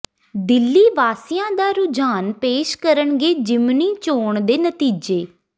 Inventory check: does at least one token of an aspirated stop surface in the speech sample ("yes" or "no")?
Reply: no